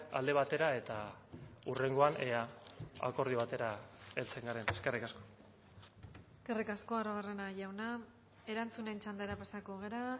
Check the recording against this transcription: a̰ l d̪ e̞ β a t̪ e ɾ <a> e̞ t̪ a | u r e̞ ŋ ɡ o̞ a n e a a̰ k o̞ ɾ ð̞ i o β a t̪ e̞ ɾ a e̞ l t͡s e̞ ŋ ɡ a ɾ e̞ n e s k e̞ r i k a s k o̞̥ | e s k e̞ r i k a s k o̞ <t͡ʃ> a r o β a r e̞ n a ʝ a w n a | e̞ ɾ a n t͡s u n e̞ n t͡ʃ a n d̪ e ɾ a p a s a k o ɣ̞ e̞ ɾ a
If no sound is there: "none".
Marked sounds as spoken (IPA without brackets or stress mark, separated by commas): a, none